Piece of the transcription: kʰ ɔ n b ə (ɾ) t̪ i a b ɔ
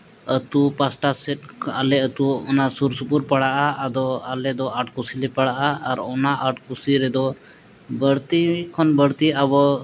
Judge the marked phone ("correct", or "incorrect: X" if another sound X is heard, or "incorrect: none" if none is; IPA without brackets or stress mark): incorrect: ɽ